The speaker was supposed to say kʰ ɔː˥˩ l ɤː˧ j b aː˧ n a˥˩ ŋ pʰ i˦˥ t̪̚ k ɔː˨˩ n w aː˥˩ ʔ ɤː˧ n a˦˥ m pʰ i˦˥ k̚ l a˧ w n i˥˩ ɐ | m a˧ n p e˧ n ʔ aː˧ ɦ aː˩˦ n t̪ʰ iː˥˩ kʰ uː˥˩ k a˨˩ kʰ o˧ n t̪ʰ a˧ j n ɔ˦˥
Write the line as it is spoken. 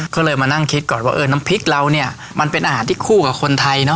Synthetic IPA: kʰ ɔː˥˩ l ɤː˧ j m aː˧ n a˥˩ ŋ kʰ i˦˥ t̪̚ k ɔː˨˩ n w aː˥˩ ʔ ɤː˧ n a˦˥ m pʰ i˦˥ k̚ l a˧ w n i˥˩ ɐ | m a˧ n p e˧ n ʔ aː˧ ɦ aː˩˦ n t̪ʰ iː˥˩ kʰ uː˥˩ k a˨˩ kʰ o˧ n t̪ʰ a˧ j n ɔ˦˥